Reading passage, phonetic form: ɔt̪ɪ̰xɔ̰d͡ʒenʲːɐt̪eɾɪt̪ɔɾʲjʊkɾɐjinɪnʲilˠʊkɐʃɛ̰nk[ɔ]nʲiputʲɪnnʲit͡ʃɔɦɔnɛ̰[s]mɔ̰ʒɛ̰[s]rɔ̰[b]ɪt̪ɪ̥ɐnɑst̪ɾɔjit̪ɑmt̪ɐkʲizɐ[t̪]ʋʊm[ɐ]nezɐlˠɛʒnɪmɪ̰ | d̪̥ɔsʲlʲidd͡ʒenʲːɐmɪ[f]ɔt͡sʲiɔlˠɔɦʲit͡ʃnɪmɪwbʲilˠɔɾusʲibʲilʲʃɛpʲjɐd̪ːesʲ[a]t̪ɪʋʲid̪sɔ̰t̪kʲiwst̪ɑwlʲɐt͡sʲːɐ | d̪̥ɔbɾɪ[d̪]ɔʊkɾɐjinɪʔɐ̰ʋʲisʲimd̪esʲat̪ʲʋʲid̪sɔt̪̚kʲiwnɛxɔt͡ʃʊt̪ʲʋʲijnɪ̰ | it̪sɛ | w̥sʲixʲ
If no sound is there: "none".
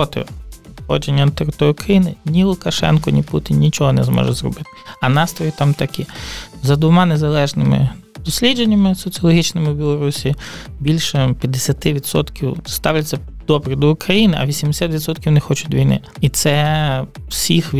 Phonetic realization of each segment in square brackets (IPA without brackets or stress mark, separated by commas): ɔ, z, z, b, d̪, ɑ, s, ɐ, d̪